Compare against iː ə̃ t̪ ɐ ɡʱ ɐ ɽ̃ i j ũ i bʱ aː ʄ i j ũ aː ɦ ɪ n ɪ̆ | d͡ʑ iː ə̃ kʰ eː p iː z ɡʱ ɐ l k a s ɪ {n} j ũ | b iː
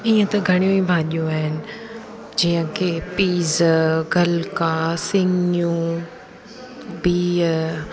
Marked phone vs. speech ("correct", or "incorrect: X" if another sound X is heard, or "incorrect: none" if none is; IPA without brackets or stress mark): incorrect: ŋ